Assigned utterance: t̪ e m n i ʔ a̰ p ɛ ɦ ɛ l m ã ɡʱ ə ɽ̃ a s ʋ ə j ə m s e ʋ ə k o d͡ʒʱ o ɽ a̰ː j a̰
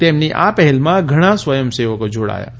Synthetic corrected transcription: t̪ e m n i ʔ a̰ p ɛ ɦ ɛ l m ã ɡʱ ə ɽ̃ a s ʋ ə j ə m s e ʋ ə k o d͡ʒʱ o ɽ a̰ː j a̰